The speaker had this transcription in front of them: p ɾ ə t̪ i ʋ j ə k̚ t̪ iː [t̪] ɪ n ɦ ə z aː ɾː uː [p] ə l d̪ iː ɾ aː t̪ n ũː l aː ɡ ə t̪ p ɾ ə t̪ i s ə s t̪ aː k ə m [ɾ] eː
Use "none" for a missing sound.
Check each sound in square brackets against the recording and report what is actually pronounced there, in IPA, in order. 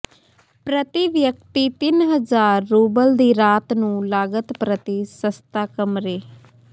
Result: t̪, b, ɾ

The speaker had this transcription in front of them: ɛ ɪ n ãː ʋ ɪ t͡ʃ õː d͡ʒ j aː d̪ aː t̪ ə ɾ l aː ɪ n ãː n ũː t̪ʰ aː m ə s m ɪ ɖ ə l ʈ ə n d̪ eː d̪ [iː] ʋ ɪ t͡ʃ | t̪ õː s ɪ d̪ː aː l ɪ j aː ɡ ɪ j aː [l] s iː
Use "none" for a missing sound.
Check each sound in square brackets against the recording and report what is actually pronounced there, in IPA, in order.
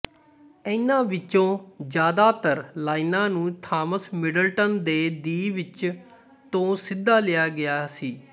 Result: iː, none

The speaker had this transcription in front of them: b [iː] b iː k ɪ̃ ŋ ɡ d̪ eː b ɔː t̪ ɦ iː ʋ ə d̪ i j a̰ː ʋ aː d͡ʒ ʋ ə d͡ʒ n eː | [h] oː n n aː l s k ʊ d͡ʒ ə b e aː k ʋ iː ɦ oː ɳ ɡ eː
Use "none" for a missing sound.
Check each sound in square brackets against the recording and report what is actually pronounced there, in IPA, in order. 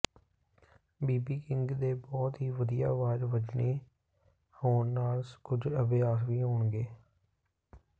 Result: iː, h

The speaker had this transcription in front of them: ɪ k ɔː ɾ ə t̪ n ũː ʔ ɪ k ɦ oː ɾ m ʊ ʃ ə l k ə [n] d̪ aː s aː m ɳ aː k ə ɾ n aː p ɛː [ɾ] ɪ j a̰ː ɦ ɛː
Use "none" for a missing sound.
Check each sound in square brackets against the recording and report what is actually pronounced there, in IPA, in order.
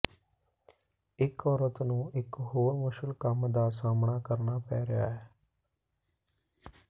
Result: m, ɾ

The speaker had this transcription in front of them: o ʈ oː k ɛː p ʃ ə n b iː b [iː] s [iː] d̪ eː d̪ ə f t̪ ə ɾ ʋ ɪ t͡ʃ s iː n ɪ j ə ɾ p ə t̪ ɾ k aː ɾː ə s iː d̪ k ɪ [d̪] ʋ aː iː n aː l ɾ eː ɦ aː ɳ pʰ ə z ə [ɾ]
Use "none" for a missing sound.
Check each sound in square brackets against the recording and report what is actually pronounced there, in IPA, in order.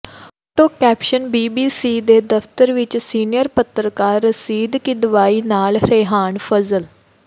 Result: iː, iː, d̪, l

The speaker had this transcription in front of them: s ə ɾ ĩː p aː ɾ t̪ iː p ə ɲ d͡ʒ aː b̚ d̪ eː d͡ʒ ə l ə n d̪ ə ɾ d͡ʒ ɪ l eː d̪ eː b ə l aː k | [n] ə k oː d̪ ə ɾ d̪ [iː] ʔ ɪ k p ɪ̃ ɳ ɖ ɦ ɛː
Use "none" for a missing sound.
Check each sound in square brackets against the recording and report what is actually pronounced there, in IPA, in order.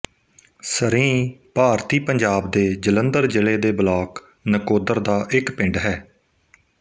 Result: n, aː

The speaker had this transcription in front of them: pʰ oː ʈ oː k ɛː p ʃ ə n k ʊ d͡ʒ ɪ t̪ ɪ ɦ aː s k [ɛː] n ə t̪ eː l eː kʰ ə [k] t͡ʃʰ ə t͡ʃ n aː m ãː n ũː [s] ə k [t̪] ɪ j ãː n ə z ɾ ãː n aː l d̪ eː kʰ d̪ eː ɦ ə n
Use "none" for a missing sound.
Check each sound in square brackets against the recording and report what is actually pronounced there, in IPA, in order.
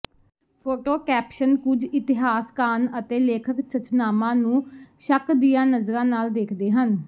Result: aː, k, ʃ, d̪

